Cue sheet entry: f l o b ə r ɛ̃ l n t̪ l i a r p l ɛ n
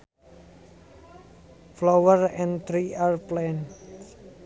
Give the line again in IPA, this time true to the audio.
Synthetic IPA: f l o w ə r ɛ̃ n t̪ ɾ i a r p l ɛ n

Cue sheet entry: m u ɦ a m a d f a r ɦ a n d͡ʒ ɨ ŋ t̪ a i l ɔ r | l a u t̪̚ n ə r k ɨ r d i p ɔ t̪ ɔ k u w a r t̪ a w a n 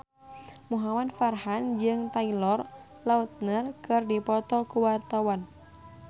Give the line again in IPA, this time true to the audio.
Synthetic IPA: m u ɦ a m a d f a r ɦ a n d͡ʒ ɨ ŋ t̪ a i l ɔ r | l a u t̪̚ n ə r k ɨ r d i p ɔ t̪ ɔ k u w a r t̪ a w a n

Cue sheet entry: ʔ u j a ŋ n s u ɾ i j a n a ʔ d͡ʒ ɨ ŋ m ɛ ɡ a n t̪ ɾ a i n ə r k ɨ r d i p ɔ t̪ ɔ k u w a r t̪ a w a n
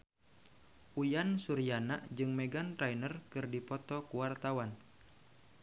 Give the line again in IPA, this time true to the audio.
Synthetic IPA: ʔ u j a n s u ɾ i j a n a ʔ d͡ʒ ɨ ŋ m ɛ ɡ a n t̪ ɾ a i n ə r k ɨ r d i p ɔ t̪ ɔ k u w a r t̪ a w a n

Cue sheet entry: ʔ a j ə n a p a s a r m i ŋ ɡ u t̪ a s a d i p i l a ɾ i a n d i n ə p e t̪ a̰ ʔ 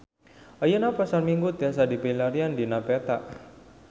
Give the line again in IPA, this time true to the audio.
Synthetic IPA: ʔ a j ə n a p a s a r m i ŋ ɡ u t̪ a s a d i p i l a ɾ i a n d i n a p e t̪ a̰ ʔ

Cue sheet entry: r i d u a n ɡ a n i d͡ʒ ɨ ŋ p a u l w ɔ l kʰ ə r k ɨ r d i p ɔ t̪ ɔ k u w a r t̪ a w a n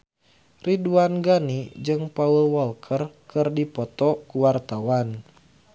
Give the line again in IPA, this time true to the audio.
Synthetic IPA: r i d u a n ɡ a n i d͡ʒ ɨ ŋ p a u l w ɔ l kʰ ə r k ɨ r d i p ɔ t̪ ɔ k u w a r t̪ a w a n

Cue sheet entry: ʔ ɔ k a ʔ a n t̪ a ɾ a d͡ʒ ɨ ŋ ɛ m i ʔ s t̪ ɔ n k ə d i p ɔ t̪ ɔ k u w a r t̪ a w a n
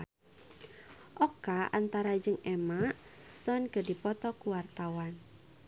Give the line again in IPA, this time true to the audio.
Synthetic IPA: ʔ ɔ k a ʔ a n t̪ a ɾ a d͡ʒ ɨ ŋ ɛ m a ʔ s t̪ ɔ n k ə d i p ɔ t̪ ɔ k u w a r t̪ a w a n

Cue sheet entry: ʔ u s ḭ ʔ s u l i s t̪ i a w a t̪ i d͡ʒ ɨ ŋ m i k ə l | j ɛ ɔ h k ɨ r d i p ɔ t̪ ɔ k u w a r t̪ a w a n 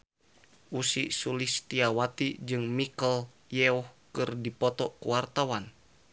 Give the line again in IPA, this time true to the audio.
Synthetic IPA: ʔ u s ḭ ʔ s u l i s t̪ i a w a t̪ i d͡ʒ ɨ ŋ m i k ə l | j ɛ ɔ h k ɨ r d i p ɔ t̪ ɔ k u w a r t̪ a w a n

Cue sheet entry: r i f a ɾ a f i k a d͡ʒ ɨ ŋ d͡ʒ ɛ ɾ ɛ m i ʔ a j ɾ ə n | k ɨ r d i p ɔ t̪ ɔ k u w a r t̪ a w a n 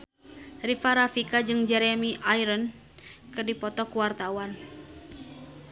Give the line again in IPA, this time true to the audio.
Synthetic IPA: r i f a ɾ a f i k a d͡ʒ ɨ ŋ d͡ʒ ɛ ɾ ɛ m i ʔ a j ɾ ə n | k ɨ r d i p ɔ t̪ ɔ k u w a r t̪ a w a n

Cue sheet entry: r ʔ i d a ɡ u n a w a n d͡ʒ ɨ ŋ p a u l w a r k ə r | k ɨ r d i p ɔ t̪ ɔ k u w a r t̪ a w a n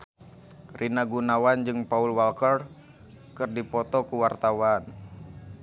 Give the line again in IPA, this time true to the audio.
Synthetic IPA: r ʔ i n a ɡ u n a w a n d͡ʒ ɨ ŋ p a u l w a l k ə r | k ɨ r d i p ɔ t̪ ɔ k u w a r t̪ a w a n

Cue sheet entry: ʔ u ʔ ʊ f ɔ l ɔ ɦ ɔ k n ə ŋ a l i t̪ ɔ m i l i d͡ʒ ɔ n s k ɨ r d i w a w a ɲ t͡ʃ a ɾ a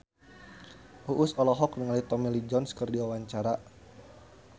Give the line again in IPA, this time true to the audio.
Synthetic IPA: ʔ u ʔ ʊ s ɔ l ɔ ɦ ɔ k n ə ŋ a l i t̪ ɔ m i l i d͡ʒ ɔ n s k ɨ r d i w a w a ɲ t͡ʃ a ɾ a

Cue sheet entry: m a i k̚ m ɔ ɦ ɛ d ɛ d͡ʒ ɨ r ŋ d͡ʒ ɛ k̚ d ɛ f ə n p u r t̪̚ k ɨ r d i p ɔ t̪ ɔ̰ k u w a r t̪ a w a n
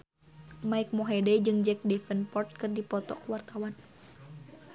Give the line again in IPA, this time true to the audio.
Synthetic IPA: m a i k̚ m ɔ ɦ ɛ d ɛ d͡ʒ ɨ ŋ d͡ʒ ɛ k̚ d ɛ f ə n p ɔ r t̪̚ k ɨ r d i p ɔ t̪ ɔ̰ k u w a r t̪ a w a n

